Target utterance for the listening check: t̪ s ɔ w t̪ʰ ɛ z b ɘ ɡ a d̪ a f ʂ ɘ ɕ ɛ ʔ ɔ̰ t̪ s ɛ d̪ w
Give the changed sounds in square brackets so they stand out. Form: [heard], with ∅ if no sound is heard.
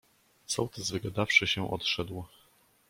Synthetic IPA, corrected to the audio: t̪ s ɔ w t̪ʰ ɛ z [v] ɘ ɡ a d̪ a f ʂ ɘ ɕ ɛ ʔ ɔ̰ t̪ [ʂ] ɛ d̪ w